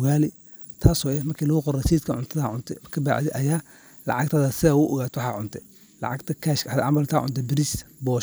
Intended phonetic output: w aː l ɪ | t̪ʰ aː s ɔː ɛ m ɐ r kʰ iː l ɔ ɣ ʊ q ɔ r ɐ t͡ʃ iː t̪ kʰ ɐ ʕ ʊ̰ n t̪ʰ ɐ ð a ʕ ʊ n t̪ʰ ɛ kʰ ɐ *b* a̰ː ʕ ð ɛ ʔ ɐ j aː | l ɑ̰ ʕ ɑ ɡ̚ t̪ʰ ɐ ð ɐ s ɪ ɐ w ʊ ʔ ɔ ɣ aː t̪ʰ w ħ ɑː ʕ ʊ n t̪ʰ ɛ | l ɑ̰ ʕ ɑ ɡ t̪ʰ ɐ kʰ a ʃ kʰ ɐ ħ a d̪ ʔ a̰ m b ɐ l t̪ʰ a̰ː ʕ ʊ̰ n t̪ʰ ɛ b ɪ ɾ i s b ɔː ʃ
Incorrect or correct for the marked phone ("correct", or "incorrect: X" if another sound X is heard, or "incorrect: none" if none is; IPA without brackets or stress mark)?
correct